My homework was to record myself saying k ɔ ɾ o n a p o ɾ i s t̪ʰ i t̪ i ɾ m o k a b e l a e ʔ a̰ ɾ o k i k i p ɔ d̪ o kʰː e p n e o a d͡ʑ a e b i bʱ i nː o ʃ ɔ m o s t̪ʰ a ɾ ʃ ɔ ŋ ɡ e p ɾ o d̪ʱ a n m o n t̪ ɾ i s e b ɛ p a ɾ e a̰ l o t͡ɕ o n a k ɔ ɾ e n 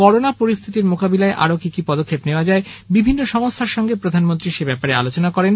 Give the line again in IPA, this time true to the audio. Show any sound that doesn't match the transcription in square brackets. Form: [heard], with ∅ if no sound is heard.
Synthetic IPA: k ɔ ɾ o n a p o ɾ i s t̪ʰ i t̪ i ɾ m o k a b [i] l a e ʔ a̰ ɾ o k i k i p ɔ d̪ o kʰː e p n e o a d͡ʑ a e b i bʱ i nː o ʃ ɔ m o s t̪ʰ a ɾ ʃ ɔ ŋ ɡ e p ɾ o d̪ʱ a n m o n t̪ ɾ i [ʃ] e b ɛ p a ɾ e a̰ l o t͡ɕ o n a k ɔ ɾ e n